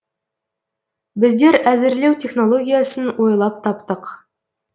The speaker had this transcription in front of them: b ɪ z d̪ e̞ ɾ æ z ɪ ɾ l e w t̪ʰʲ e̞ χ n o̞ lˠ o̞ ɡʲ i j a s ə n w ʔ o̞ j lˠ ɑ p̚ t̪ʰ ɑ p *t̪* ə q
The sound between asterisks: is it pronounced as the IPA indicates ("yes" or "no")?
yes